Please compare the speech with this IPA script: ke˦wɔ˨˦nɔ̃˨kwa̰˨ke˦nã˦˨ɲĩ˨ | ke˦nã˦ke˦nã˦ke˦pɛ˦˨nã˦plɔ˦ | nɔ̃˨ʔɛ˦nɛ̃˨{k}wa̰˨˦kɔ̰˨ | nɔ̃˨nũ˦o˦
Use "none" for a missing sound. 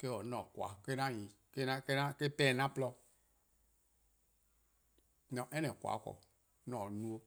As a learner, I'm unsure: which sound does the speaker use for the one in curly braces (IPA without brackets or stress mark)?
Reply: k